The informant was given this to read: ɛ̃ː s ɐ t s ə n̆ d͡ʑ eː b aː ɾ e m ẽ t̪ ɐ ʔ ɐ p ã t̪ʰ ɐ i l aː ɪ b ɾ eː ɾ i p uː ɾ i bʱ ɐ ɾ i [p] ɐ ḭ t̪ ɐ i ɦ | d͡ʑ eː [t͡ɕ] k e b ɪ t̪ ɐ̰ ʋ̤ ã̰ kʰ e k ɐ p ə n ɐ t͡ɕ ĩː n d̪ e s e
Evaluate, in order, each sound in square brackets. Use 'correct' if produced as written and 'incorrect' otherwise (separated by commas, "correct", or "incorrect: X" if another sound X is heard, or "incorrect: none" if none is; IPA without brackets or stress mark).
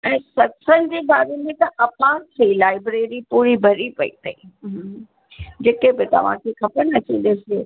correct, incorrect: none